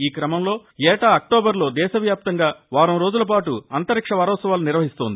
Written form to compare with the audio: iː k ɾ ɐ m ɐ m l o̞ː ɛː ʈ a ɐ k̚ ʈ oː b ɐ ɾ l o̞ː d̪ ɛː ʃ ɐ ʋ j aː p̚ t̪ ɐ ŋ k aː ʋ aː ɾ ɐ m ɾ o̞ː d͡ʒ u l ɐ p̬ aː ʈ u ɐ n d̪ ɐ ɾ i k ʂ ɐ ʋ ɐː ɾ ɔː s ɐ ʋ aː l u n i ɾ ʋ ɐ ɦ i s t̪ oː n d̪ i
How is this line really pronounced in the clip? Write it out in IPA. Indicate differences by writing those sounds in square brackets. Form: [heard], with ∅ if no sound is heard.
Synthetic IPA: iː k ɾ ɐ m ɐ m l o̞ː ɛː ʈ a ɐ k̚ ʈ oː b ɐ ɾ l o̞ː d̪ ɛː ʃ ɐ ʋ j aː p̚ t̪ ɐ ŋ [ɡ] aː ʋ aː ɾ ɐ m ɾ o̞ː d͡ʒ u l ɐ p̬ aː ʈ u ɐ n [t̪] ɐ ɾ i k ʂ ɐ ʋ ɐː ɾ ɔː s ɐ ʋ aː l u n i ɾ ʋ ɐ ɦ i s t̪ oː n d̪ i